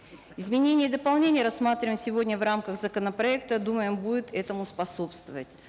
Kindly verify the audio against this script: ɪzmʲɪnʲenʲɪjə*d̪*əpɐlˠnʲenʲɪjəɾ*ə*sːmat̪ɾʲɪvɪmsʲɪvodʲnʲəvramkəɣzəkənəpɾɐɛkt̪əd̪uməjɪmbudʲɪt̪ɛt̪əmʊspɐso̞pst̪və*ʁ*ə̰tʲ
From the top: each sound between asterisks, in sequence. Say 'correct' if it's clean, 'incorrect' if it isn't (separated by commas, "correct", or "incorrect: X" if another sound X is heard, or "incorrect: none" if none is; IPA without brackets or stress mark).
correct, incorrect: ɐ, incorrect: v